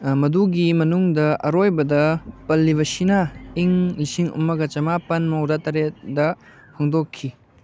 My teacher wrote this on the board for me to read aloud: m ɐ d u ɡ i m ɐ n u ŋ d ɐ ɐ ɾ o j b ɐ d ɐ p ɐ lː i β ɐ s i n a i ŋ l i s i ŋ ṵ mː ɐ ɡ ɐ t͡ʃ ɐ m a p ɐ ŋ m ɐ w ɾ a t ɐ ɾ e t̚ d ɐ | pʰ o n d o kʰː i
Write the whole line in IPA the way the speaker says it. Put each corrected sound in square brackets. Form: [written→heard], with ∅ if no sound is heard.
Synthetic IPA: m ɐ d u ɡ i m ɐ n u ŋ d ɐ ɐ ɾ o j b ɐ d ɐ p ɐ lː i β ɐ s i n a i ŋ l i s i ŋ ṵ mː ɐ ɡ ɐ t͡ʃ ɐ m a p ɐ [ŋ→n] m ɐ w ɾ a t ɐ ɾ e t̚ d ɐ | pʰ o [n→ŋ] d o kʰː i